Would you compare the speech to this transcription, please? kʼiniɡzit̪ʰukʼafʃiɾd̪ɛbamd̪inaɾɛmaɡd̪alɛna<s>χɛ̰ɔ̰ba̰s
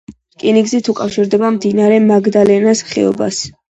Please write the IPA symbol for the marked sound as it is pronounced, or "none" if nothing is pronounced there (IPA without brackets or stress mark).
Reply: s